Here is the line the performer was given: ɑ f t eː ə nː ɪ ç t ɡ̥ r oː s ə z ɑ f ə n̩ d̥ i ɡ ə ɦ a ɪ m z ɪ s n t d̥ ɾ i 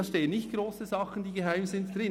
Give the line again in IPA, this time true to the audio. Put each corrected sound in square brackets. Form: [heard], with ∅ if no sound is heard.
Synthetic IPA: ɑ [ʃ] t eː ə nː ɪ ç t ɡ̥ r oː s ə z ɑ [χ] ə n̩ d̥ [iː] ɡ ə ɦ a ɪ m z ɪ [∅] n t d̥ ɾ [ɪ]